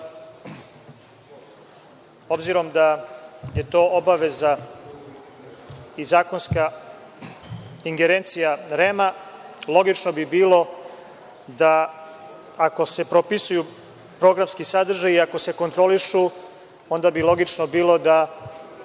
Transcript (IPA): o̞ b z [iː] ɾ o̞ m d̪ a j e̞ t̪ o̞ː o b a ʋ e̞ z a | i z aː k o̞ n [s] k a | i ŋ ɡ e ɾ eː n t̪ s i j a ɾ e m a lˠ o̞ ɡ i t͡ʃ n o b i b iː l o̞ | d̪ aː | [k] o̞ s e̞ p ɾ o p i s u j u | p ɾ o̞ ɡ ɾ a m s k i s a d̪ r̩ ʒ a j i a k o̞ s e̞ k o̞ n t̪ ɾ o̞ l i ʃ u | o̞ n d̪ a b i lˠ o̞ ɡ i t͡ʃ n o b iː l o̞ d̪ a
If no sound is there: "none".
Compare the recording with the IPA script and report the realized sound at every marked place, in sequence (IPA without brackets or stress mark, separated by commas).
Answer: i, s, k